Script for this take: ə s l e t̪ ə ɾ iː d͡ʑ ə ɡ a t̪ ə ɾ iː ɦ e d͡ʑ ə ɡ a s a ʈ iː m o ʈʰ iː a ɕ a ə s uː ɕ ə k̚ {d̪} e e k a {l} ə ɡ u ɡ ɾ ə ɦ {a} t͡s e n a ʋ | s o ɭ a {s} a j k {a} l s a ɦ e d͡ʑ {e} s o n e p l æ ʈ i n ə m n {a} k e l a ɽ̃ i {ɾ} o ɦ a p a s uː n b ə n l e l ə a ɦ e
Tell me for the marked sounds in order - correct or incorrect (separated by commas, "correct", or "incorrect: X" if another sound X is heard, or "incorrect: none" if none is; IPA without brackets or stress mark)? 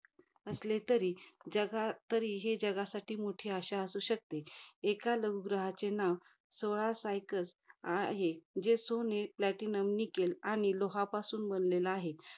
incorrect: t̪, correct, correct, correct, incorrect: ə, correct, incorrect: i, incorrect: l